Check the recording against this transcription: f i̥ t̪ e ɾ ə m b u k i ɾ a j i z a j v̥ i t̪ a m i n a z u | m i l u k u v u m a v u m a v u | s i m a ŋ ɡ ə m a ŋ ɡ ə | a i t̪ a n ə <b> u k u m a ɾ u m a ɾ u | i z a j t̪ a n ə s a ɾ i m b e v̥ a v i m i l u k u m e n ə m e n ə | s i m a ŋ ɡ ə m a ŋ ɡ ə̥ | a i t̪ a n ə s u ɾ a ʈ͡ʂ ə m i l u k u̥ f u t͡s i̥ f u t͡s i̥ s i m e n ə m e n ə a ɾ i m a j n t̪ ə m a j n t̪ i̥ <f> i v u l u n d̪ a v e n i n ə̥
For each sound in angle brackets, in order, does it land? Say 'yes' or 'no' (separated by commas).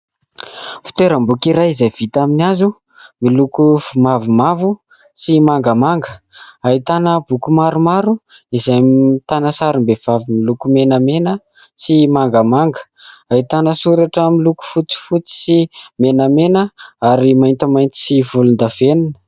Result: yes, no